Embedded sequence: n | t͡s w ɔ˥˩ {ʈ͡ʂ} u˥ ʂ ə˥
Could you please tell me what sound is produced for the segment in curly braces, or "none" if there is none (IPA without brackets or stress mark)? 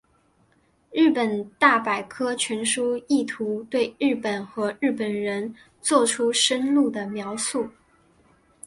ʈ͡ʂʰ